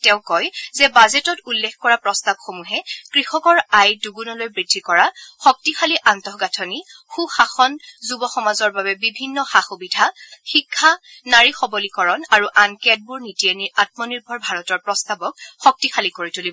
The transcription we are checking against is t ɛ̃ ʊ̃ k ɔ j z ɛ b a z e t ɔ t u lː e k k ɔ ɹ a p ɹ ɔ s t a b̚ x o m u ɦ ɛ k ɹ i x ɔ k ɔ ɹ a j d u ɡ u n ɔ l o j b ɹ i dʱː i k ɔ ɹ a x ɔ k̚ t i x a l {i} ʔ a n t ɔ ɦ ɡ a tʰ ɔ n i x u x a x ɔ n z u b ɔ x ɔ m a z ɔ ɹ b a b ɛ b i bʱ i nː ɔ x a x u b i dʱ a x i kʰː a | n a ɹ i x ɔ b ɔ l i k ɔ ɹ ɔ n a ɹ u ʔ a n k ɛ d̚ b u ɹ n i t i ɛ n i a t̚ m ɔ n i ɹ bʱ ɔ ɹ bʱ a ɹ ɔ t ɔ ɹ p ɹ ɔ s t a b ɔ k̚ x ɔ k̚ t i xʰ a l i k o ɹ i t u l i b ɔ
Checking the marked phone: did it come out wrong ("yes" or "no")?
no